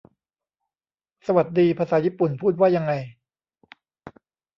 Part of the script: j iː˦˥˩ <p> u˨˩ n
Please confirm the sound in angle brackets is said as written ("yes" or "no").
yes